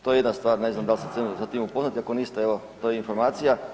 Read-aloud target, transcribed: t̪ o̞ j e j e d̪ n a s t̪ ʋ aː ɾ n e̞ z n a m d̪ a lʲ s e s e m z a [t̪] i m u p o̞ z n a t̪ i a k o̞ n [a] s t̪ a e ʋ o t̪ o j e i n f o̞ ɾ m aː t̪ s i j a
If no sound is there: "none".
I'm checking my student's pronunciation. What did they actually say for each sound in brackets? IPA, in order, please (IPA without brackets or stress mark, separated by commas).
t̪, i